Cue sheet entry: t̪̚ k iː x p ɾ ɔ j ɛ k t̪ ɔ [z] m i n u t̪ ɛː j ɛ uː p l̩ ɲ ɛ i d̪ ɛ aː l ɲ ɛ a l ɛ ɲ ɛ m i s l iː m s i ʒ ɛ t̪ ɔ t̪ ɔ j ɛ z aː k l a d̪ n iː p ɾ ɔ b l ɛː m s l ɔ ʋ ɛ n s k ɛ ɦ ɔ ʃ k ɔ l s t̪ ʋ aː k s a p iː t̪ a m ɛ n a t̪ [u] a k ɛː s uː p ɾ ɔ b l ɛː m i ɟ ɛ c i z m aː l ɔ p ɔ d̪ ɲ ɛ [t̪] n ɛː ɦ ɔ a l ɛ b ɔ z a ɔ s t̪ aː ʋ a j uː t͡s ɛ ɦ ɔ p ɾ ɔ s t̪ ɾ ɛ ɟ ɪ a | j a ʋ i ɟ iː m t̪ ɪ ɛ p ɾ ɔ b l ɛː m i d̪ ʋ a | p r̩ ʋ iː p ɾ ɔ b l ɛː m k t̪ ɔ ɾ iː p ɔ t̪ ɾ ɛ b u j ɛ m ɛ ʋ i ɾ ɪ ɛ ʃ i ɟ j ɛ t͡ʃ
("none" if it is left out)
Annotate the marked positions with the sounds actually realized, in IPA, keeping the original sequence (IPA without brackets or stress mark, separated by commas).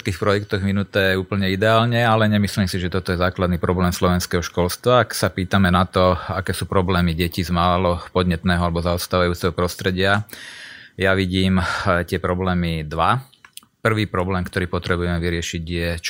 ɣ, ɔ, t̪